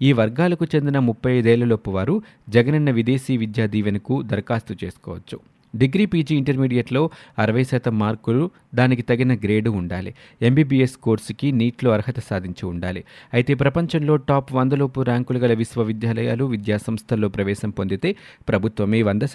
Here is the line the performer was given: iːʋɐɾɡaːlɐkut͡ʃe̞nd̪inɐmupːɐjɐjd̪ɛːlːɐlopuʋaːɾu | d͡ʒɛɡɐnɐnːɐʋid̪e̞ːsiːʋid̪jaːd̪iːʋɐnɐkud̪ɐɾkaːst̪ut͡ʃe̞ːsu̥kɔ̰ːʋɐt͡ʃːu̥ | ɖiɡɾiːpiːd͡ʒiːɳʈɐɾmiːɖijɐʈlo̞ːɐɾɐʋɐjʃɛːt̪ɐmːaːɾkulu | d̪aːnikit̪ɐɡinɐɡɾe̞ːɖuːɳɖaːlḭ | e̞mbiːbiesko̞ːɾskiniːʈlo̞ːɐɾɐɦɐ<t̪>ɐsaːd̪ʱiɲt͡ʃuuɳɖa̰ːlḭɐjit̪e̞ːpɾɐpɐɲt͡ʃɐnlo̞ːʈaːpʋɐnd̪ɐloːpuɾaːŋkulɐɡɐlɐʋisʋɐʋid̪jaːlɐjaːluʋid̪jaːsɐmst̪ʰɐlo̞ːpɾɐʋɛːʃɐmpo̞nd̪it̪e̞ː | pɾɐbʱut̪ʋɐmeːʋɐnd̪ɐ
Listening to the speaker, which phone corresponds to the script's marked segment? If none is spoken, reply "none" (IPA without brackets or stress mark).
t̪